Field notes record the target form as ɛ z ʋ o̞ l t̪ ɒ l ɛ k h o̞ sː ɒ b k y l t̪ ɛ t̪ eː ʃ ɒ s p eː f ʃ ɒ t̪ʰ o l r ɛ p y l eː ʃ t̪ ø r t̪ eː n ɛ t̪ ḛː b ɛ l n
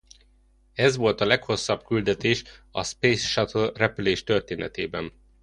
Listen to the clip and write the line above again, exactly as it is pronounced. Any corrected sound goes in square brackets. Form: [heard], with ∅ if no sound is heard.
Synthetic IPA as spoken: ɛ z ʋ o̞ l t̪ ɒ l ɛ k h o̞ sː ɒ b k y l [d̪] ɛ t̪ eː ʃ ɒ s p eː [s] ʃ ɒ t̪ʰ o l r ɛ p y l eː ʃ t̪ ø r t̪ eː n ɛ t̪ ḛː b ɛ [∅] n

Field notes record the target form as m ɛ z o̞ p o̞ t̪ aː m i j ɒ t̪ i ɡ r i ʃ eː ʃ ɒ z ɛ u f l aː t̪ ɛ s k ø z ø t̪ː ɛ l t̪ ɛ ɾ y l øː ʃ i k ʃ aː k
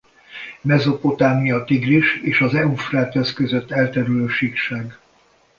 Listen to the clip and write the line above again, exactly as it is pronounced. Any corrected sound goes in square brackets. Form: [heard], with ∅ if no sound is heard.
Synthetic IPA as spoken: m ɛ z o̞ p o̞ t̪ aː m i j ɒ t̪ i ɡ r i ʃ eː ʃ ɒ z ɛ u f [r] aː t̪ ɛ s k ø z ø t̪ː ɛ l t̪ ɛ ɾ y l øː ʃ i k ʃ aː [ɡ]

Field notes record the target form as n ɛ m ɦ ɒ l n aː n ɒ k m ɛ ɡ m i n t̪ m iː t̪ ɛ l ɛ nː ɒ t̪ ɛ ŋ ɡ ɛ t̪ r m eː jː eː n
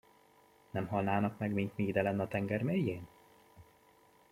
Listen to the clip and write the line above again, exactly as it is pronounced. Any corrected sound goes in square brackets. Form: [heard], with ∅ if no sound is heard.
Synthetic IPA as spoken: n ɛ m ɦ ɒ l n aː n ɒ k m ɛ ɡ m i n t̪ m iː [d̪] ɛ l ɛ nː ɒ t̪ ɛ ŋ ɡ ɛ [∅] r m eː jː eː n

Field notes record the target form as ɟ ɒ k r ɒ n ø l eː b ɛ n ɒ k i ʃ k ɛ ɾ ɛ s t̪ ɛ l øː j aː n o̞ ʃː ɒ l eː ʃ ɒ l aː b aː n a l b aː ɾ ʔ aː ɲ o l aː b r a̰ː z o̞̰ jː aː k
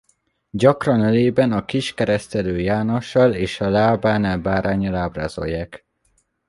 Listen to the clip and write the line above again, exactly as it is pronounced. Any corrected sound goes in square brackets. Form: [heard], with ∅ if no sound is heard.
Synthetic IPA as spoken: ɟ ɒ k r ɒ n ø l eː b ɛ n ɒ k i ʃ k ɛ ɾ ɛ s t̪ ɛ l øː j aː n o̞ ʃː ɒ l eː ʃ ɒ l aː b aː n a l b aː ɾ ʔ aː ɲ [ɒ] l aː b r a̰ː z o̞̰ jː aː k

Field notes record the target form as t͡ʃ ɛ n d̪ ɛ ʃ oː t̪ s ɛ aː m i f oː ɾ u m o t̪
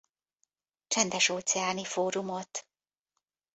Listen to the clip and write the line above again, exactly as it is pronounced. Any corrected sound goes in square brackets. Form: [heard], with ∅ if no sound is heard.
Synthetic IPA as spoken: t͡ʃ ɛ n d̪ ɛ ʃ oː t̪ s ɛ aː [n] i f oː ɾ u m o t̪

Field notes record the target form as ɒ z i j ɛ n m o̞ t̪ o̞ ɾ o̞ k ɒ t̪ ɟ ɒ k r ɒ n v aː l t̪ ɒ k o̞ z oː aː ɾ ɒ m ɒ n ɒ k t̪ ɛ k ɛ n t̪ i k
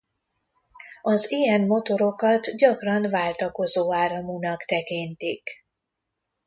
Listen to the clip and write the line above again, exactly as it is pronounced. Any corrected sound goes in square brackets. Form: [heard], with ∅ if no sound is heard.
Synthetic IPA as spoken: ɒ z i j ɛ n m o̞ t̪ o̞ ɾ o̞ k ɒ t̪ ɟ ɒ k r ɒ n v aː l t̪ ɒ k o̞ z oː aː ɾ ɒ m [u] n ɒ k t̪ ɛ k [i] n t̪ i k

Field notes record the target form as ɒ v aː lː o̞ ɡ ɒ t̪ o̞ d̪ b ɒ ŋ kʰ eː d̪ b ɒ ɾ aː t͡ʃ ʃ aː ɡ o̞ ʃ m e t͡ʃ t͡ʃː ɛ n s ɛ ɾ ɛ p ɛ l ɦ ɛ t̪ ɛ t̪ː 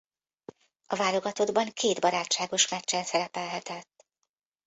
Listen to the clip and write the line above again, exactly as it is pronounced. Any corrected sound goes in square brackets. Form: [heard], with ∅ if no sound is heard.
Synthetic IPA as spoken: ɒ v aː [l] o̞ ɡ ɒ t̪ o̞ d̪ b ɒ ŋ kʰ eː d̪ b ɒ ɾ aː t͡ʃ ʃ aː ɡ o̞ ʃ m [ɛ] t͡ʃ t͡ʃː ɛ n s ɛ ɾ ɛ p ɛ l ɦ ɛ t̪ ɛ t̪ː

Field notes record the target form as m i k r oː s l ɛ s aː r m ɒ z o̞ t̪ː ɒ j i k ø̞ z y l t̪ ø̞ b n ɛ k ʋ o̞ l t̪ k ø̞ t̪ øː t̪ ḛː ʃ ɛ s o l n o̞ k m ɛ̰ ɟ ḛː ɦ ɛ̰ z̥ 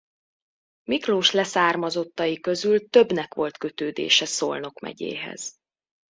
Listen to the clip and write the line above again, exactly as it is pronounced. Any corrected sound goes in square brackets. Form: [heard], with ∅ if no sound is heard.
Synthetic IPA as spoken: m i k r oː [ʃ] l ɛ s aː r m ɒ z o̞ t̪ː ɒ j i k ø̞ z y l t̪ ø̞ b n ɛ k ʋ o̞ l t̪ k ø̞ t̪ øː [d̪] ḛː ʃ ɛ s o l n o̞ k m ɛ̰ ɟ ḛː ɦ ɛ̰ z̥

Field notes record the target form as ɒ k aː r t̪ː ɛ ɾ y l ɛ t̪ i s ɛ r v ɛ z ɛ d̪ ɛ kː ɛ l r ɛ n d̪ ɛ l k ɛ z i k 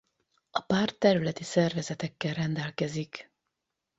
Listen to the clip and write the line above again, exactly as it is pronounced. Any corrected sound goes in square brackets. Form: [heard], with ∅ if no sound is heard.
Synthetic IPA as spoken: ɒ [p] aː r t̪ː ɛ ɾ y l ɛ t̪ i s ɛ r v ɛ z ɛ [t̪] ɛ kː ɛ l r ɛ n d̪ ɛ l k ɛ z i k

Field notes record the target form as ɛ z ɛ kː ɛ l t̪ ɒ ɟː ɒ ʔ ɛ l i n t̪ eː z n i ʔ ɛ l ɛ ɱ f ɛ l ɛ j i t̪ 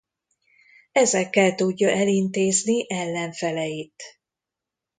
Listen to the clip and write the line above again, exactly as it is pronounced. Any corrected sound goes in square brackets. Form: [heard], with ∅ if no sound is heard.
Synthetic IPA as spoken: ɛ z ɛ kː ɛ l t̪ [u] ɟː ɒ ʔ ɛ l i n t̪ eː z n i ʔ ɛ [lː] ɛ ɱ f ɛ l ɛ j i t̪

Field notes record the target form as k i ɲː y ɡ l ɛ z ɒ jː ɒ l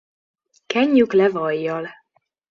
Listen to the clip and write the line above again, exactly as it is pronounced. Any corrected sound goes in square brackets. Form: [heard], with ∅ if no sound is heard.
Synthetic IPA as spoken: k [ɛ] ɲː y [k] l ɛ [v] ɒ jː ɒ l

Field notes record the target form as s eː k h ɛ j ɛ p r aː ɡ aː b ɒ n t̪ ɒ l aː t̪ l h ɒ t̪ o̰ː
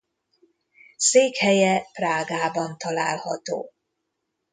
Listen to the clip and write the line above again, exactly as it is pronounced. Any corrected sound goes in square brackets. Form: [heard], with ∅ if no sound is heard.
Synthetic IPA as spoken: s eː k h ɛ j ɛ p r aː ɡ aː b ɒ n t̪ ɒ l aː [∅] l h ɒ t̪ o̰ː

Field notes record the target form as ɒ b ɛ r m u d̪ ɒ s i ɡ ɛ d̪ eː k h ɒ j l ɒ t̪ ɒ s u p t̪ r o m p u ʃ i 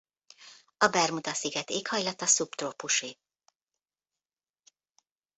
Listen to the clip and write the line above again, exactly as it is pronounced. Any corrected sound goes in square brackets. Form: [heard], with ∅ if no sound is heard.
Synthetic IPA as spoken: ɒ b ɛ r m u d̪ ɒ s i ɡ ɛ [t̪] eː k h ɒ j l ɒ t̪ ɒ s u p t̪ r o [∅] p u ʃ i

